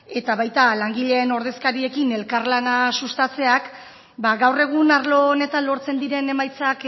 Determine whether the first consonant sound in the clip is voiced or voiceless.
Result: voiceless